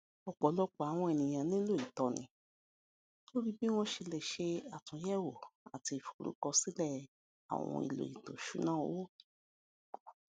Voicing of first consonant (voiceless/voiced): voiceless